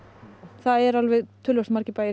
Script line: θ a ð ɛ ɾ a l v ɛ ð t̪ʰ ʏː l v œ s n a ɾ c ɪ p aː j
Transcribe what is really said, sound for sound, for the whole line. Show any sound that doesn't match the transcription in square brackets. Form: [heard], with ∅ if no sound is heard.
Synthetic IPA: θ a ð ɛ ɾ a l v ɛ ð t̪ʰ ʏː l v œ s [m] a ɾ c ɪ p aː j

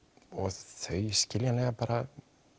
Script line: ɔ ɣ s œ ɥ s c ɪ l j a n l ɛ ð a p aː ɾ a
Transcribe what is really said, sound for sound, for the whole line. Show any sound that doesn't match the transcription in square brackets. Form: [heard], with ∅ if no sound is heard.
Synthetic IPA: ɔ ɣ [θ] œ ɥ s c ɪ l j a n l ɛ [ɣ] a p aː ɾ a

